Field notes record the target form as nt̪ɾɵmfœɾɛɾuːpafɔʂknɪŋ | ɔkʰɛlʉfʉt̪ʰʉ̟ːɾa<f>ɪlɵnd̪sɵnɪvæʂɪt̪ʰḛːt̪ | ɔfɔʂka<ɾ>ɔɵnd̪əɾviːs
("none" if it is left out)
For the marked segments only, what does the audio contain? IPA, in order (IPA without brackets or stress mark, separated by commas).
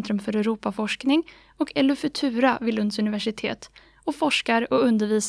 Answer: v, ɾ